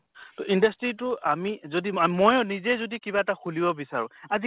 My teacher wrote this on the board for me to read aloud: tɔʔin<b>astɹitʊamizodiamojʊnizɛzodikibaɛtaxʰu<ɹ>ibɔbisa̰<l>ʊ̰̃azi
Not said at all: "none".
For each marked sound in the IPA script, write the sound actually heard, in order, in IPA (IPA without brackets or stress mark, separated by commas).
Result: d, l, ɹ